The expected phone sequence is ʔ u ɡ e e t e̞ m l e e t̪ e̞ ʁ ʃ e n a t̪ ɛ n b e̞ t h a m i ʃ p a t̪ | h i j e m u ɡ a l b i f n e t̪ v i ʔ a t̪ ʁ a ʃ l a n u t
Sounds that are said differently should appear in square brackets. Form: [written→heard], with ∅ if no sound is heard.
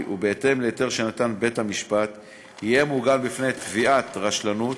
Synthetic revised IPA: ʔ u [ɡ→b] e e t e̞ m l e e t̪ e̞ ʁ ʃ e n a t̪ [ɛ→a] n b e̞ t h a m i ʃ p a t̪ | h i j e m u ɡ a l b i f n e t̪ v i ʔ a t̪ ʁ a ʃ l a n u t

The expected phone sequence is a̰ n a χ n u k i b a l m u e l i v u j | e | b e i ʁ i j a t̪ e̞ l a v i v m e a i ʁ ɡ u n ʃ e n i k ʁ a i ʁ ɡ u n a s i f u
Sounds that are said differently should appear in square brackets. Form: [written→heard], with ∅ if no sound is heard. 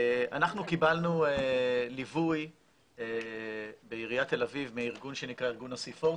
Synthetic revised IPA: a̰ n a χ n u k i b a l [m→n] u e l i v u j | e | b e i ʁ i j a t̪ e̞ l a v i v m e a i ʁ ɡ u n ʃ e n i k ʁ a i ʁ ɡ u n a s i f [u→o]

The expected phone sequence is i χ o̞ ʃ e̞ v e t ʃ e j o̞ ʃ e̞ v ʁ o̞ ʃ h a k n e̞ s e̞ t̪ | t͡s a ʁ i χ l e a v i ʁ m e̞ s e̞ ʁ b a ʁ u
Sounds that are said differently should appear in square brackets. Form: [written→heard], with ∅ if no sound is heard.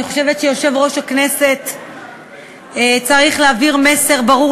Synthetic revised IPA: i χ o̞ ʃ e̞ v e t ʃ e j o̞ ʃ e̞ v ʁ o̞ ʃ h a k n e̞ s e̞ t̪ | t͡s a ʁ i χ l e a v i ʁ m e̞ s e̞ ʁ b a ʁ u

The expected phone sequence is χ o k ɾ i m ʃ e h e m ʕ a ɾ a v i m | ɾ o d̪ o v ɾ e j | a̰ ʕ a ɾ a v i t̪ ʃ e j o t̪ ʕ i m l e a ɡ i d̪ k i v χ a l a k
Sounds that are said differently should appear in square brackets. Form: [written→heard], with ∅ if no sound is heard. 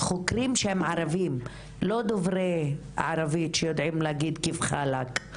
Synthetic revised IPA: χ o k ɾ i m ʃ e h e m ʕ a ɾ a v i m | [ɾ→l] o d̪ o v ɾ e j | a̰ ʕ a ɾ a v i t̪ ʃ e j o [t̪→d̪] ʕ i m l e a ɡ i d̪ k i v χ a l a k

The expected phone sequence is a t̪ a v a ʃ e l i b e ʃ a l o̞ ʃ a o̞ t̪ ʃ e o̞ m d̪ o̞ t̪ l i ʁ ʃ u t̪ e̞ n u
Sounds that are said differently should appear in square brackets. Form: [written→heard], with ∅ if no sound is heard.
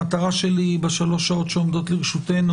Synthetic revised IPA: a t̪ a [v→ʁ] a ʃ e l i b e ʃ a l o̞ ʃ a o̞ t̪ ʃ e o̞ m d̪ o̞ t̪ l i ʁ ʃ u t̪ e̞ n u

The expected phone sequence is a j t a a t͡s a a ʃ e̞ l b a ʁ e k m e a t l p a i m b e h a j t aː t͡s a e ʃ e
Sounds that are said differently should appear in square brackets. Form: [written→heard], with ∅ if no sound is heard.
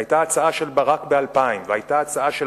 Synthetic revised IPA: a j t a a t͡s a a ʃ e̞ l b a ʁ [e→a] k [m→b] e a [t→∅] l p a i m [b→v] e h a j t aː t͡s a [e→a] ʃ e

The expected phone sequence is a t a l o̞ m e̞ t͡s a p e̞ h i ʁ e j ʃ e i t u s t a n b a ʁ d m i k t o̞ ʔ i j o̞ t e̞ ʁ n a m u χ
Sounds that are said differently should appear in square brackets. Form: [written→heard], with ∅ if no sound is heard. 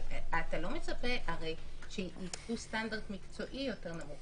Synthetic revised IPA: a t a l o̞ m e̞ t͡s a p e̞ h [i→a] ʁ e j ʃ e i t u s t a n [b→d] a ʁ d m i k [t→t͡s] o̞ ʔ i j o̞ t e̞ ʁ n a m u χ

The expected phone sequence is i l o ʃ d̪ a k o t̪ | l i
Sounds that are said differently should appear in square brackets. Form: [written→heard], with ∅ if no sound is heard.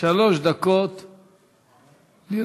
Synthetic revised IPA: [i→a] l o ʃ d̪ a k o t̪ | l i

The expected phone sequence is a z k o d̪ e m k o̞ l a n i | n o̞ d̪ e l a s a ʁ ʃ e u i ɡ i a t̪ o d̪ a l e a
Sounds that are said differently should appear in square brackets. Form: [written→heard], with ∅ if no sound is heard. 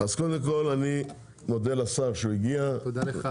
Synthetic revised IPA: a z k o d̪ e m k o̞ l a n i | [n→m] o̞ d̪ e l a s a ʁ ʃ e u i ɡ i a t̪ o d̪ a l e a

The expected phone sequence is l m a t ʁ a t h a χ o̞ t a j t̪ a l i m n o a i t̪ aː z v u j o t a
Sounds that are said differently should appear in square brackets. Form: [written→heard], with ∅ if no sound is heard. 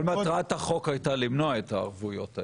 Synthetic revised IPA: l m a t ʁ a t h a χ o̞ [t→k] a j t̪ a l i m n o a [i→e] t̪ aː [z→ʁ] v u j o t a

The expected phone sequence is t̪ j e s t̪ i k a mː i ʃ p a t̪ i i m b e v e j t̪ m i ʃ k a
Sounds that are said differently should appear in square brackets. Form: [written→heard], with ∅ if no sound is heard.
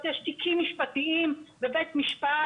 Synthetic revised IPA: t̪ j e [s→ʃ] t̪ i k [a→i] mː i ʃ p a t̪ i i m b e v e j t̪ m i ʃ [k→p] a

